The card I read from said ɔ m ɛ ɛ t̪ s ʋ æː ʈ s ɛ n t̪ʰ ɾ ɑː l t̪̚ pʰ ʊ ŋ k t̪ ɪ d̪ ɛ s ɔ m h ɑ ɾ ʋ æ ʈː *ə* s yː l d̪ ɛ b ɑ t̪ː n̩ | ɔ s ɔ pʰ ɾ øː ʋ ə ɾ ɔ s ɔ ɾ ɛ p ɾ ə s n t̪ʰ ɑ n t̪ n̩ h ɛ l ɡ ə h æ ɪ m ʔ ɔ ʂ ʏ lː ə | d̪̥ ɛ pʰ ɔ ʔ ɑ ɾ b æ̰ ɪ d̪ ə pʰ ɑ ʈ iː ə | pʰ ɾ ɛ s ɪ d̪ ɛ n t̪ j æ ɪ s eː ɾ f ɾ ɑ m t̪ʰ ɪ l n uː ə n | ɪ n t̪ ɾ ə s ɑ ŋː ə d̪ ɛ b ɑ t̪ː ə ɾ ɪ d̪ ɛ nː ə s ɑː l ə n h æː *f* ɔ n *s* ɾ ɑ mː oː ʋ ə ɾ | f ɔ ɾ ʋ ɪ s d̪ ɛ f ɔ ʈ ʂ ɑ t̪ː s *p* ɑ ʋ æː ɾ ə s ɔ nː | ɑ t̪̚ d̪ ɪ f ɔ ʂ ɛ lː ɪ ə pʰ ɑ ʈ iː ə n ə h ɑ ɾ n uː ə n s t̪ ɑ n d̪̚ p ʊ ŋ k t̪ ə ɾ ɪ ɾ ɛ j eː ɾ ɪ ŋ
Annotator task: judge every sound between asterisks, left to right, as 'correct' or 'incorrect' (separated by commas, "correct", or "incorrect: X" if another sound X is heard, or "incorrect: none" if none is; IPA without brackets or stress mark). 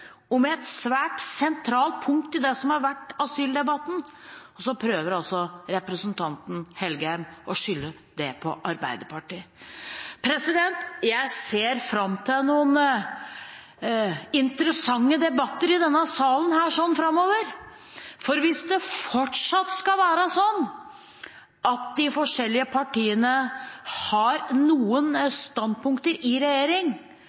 incorrect: ɑ, incorrect: ʂ, incorrect: f, incorrect: k